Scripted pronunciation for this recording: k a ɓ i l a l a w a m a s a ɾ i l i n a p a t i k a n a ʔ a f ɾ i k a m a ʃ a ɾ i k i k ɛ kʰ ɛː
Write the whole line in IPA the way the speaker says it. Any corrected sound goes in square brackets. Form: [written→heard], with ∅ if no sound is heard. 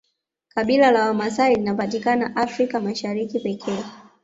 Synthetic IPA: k a ɓ i l a l a w a m a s a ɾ i l i n a p a t i k a n a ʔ a f ɾ i k a m a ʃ a ɾ i k i [k→p] ɛ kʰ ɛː